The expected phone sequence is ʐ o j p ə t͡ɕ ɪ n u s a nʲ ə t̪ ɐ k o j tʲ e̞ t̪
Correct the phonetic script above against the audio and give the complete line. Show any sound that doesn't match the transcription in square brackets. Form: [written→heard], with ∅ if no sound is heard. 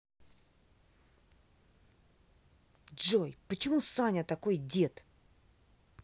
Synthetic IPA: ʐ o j p ə t͡ɕ ɪ [n→m] u s a nʲ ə t̪ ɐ k o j [tʲ→dʲ] e̞ t̪